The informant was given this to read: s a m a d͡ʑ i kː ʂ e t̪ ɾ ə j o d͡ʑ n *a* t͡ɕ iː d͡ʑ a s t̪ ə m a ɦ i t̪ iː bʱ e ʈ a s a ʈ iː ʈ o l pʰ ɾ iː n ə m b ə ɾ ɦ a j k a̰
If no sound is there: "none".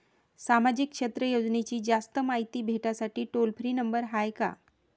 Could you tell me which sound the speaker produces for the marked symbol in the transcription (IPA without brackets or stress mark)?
e